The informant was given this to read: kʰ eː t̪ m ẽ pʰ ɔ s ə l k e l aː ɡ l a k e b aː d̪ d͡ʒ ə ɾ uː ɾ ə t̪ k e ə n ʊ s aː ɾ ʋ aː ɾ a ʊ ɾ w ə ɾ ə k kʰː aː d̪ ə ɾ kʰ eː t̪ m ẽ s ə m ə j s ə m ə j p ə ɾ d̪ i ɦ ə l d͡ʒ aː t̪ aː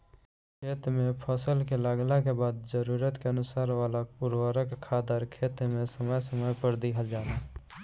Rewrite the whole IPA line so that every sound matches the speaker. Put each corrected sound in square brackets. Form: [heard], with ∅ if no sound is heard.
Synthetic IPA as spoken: kʰ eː t̪ m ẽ pʰ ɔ s ə l k e l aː ɡ l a k e b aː d̪ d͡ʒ ə ɾ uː ɾ ə t̪ k e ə n ʊ s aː ɾ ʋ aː [l] a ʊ ɾ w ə ɾ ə k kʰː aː d̪ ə ɾ kʰ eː t̪ m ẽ s ə m ə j s ə m ə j p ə ɾ d̪ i ɦ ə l d͡ʒ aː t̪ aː